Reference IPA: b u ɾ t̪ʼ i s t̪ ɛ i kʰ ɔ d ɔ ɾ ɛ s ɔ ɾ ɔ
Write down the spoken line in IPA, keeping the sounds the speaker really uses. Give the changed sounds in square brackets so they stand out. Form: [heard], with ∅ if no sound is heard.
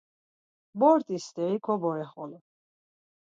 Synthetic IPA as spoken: b [ɔ] ɾ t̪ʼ i s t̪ ɛ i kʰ ɔ [b] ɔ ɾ ɛ [χ] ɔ [l] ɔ